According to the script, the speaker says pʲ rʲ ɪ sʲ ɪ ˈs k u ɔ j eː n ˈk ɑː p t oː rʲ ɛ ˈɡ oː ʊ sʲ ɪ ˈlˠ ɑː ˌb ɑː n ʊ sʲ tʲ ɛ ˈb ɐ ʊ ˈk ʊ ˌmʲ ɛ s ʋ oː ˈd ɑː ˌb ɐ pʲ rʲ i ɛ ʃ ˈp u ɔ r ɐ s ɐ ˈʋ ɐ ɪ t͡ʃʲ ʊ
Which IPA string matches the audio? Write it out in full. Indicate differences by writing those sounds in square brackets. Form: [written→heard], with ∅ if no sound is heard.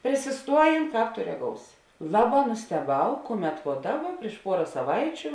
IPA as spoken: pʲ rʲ ɪ sʲ ɪ ˈs [k→t] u ɔ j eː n ˈk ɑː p t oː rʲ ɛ ˈɡ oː ʊ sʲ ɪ ˈlˠ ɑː ˌb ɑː n ʊ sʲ tʲ ɛ ˈb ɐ ʊ ˈk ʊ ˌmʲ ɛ [s→t] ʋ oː ˈd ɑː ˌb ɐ pʲ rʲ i ɛ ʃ ˈp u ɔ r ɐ s ɐ ˈʋ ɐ ɪ t͡ʃʲ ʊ

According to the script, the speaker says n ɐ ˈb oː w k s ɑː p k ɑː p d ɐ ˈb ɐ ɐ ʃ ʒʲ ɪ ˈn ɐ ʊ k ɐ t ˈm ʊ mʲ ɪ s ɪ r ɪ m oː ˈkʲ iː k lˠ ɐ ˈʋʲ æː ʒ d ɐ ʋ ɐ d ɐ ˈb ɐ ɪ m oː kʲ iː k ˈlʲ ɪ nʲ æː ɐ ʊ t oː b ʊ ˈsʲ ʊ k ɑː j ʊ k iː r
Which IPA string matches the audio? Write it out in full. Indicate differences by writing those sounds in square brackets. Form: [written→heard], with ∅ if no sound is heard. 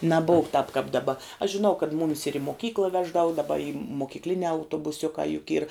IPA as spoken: n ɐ ˈb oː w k [s→t] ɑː p k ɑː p d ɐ ˈb ɐ ɐ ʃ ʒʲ ɪ ˈn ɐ ʊ k ɐ t ˈm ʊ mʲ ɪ s ɪ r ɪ m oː ˈkʲ iː k lˠ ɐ ˈʋʲ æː ʒ d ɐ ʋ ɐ d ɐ ˈb ɐ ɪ m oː kʲ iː k ˈlʲ ɪ nʲ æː ɐ ʊ t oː b ʊ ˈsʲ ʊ k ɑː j ʊ k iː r

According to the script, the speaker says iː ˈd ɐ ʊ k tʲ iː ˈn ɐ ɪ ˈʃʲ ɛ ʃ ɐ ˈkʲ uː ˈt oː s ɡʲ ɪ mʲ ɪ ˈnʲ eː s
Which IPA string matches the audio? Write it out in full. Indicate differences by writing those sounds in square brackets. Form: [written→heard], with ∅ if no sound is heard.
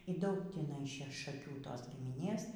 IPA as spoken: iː ˈd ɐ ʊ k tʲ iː ˈn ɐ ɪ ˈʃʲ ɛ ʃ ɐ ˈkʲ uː ˈt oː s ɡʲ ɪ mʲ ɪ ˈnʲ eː s

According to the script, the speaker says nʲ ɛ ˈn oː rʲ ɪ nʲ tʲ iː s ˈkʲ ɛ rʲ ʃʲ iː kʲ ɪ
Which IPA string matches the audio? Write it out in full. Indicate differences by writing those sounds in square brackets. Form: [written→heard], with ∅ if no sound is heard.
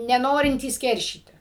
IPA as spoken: nʲ ɛ ˈn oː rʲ ɪ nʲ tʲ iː s ˈkʲ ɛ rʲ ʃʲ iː [kʲ→tʲ] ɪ

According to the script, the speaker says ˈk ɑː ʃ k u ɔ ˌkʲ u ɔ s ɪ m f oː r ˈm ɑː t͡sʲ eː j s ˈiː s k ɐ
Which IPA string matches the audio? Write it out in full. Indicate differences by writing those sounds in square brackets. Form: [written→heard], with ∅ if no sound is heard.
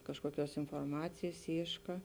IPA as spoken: ˈk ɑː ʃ k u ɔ ˌkʲ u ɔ s ɪ [m→n] f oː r ˈm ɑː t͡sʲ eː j s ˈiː [s→ʃ] k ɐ

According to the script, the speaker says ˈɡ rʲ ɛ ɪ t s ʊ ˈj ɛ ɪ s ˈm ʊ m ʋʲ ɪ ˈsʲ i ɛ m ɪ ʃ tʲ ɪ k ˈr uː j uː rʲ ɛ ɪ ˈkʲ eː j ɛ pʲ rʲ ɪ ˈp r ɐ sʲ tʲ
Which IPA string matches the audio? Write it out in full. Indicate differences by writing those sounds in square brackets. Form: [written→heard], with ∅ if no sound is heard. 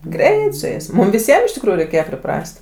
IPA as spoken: ˈɡ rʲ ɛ ɪ t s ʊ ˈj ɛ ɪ s ˈm ʊ m ʋʲ ɪ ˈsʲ i ɛ m ɪ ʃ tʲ ɪ k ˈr uː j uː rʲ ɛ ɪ ˈkʲ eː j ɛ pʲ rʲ ɪ ˈp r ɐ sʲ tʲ

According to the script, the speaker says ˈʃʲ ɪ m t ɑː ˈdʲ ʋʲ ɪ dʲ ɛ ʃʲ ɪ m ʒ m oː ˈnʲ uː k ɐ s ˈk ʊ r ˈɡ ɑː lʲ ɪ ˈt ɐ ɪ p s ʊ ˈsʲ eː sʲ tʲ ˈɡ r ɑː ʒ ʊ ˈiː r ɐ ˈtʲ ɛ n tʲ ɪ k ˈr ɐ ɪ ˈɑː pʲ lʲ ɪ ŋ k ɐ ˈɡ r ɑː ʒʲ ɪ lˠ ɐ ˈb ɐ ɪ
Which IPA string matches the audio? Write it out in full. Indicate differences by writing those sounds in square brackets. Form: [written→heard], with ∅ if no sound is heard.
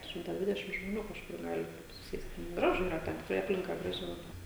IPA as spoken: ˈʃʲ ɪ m t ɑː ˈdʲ ʋʲ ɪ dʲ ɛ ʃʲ ɪ m ʒ m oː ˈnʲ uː k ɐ [s→ʃ] ˈk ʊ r ˈɡ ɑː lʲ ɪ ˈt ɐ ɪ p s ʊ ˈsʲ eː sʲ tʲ ˈɡ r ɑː ʒ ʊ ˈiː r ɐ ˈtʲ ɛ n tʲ ɪ k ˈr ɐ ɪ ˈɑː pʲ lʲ ɪ ŋ k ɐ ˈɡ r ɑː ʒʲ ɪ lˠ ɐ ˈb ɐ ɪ

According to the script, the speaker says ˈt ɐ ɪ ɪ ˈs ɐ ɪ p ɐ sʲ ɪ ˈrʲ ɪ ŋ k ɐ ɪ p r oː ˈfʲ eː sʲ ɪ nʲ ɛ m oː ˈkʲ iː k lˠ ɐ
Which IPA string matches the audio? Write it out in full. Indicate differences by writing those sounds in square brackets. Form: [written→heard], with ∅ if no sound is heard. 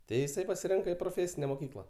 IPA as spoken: ˈt ɐ ɪ ɪ ˈs ɐ ɪ p ɐ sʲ ɪ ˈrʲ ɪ ŋ k ɐ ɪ p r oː ˈfʲ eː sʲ ɪ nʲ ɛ m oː ˈkʲ iː k lˠ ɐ

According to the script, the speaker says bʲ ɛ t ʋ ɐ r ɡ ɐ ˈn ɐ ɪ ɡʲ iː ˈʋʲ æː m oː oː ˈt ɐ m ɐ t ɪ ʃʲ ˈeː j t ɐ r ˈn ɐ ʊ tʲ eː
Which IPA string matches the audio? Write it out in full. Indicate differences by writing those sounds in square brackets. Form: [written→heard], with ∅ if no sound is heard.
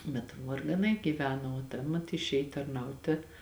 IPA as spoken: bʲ ɛ t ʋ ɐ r ɡ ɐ ˈn ɐ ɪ ɡʲ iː ˈʋʲ æː [m→n] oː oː ˈt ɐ m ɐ t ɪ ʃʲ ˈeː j t ɐ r ˈn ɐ ʊ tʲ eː

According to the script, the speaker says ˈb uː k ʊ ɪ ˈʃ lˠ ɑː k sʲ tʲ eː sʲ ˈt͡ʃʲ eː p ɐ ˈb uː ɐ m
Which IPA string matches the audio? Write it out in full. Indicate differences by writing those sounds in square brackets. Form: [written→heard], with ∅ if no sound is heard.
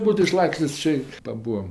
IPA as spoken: ˈb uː [k→t] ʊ ɪ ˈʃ lˠ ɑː k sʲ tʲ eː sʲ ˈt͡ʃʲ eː p ɐ ˈb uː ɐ m

